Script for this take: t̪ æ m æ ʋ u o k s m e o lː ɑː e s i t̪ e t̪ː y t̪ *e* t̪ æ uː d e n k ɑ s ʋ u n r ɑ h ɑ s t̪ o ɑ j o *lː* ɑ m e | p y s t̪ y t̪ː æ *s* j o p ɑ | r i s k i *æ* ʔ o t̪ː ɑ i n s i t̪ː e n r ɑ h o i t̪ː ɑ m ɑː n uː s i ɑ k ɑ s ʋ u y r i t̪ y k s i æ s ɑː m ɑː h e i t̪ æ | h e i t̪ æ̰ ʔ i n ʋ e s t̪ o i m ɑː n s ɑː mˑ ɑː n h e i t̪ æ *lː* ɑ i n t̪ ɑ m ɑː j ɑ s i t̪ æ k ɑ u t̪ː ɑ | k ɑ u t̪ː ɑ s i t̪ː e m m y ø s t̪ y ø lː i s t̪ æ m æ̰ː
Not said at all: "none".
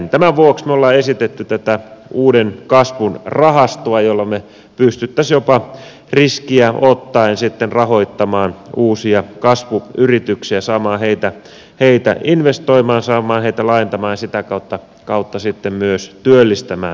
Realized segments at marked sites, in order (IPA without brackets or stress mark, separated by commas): æ, lː, s, æ, l